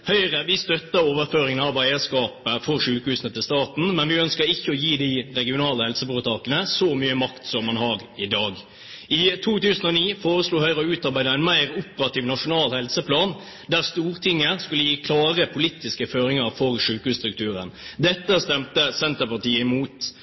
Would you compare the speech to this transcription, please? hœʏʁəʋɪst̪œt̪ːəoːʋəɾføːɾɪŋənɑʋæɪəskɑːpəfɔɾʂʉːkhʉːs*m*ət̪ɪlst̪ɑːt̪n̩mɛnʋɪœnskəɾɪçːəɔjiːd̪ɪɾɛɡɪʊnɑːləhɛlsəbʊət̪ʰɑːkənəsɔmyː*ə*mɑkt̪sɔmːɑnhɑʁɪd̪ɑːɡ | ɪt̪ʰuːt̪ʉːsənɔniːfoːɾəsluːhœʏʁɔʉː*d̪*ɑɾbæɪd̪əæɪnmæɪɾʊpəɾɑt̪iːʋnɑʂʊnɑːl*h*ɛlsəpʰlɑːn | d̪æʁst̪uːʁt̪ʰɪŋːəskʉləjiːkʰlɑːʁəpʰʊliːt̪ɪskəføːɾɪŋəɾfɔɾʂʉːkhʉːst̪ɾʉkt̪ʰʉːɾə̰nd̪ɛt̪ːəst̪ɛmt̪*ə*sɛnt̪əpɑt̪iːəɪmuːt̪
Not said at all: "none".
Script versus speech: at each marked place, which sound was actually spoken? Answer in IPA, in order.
n, ə, t̪, h, ə

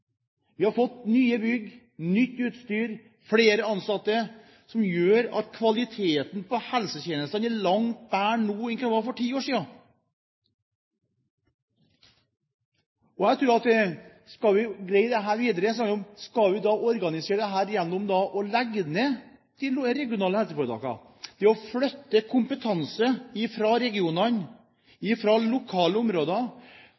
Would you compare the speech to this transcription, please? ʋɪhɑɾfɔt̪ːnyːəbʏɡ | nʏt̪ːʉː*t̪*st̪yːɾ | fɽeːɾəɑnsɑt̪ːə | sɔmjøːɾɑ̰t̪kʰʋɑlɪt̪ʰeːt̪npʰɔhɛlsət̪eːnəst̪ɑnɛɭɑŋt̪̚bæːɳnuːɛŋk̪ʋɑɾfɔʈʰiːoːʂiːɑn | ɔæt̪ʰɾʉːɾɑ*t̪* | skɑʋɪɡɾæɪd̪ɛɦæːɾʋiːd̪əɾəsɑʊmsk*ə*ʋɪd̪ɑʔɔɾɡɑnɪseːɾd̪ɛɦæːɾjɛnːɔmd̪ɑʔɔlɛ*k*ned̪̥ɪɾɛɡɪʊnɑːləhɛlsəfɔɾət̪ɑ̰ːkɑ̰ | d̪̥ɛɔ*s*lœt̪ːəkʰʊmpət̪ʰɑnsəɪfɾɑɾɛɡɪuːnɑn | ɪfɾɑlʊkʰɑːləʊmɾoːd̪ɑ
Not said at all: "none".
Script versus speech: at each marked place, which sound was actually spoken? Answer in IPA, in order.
t̪, t̪, ɑ, ɡ, f

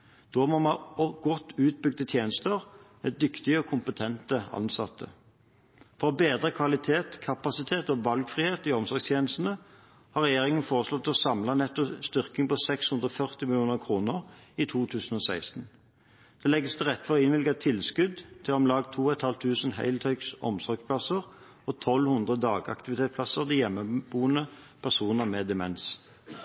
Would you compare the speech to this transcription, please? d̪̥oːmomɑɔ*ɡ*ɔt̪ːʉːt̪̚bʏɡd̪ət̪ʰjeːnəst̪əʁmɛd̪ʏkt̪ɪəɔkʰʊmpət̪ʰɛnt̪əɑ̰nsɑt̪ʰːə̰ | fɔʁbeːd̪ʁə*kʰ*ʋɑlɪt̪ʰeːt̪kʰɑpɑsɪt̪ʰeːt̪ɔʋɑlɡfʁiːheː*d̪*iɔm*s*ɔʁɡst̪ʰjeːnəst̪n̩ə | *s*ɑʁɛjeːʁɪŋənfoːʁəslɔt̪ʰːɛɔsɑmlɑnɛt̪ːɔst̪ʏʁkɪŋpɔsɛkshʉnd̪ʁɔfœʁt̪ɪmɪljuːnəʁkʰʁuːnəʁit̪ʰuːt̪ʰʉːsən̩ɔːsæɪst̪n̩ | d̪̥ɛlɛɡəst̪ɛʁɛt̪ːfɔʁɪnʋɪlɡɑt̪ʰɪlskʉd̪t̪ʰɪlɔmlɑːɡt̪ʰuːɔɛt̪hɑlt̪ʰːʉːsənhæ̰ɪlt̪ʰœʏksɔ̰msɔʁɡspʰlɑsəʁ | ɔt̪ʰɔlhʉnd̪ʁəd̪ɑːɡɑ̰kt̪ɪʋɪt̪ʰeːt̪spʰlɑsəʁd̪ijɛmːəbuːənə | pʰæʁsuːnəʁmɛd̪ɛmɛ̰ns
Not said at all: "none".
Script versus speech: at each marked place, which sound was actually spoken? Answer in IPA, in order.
ɡ, kʰ, t̪, s, h

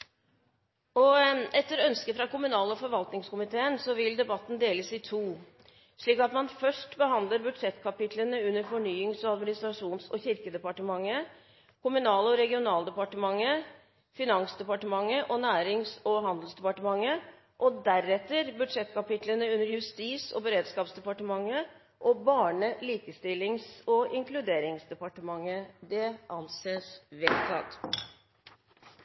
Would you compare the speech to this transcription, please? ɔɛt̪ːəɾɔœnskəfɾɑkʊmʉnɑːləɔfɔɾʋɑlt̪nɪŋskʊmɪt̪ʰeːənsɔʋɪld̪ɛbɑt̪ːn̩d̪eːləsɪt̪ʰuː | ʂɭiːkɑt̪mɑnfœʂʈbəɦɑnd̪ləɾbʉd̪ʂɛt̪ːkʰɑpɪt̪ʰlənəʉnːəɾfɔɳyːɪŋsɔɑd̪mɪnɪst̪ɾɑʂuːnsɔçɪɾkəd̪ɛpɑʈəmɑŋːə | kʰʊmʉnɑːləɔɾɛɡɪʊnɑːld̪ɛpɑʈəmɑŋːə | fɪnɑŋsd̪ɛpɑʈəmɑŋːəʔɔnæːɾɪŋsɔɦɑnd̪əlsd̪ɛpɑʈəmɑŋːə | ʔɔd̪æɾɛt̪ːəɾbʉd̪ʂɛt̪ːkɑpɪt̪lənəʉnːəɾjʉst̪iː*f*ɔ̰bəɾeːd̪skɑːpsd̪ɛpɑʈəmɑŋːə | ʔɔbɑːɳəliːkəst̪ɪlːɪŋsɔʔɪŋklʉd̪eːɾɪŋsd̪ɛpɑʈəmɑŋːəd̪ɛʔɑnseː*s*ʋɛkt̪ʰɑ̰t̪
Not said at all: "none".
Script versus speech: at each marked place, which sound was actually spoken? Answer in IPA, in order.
s, s

